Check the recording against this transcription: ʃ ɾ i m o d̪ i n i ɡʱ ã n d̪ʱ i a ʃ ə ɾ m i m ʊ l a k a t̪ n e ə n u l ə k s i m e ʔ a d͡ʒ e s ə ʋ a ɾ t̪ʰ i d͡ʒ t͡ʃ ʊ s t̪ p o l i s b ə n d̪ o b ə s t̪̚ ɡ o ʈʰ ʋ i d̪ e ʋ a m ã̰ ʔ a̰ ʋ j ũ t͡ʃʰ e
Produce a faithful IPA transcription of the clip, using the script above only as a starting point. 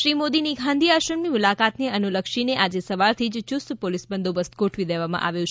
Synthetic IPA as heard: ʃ ɾ i m o d̪ i n i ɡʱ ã n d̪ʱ i a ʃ ə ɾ m i m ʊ l a k a t̪ n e ə n u l ə k ʃ i n e ʔ a d͡ʒ e s ə ʋ a ɾ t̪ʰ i d͡ʒ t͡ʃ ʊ s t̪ p o l i s b ə n d̪ o b ə s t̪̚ ɡ o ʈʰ ʋ i d̪ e ʋ a m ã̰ ʔ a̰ ʋ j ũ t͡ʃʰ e